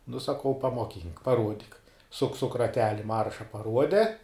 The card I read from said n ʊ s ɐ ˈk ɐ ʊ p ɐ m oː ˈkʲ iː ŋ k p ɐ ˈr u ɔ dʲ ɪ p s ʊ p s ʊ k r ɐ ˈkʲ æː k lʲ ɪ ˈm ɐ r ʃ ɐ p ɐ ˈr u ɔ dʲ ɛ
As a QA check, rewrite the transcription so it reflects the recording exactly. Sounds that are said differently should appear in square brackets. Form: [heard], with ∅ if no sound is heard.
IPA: n ʊ s ɐ ˈk ɐ ʊ p ɐ m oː ˈkʲ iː ŋ k p ɐ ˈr u ɔ dʲ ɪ [k] s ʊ [k] s ʊ k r ɐ [ˈtʲ] æː [∅] lʲ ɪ ˈm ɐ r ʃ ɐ p ɐ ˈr u ɔ dʲ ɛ